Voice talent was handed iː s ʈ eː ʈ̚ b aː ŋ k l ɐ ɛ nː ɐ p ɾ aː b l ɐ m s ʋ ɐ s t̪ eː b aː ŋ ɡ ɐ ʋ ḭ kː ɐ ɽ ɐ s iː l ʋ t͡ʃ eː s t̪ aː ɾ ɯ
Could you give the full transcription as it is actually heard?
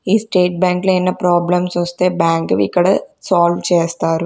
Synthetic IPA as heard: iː s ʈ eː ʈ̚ b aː ŋ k l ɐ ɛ nː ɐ p ɾ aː b l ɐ m s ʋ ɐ s t̪ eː b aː ŋ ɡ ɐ ʋ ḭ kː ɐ ɽ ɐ s aː l ʋ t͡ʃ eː s t̪ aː ɾ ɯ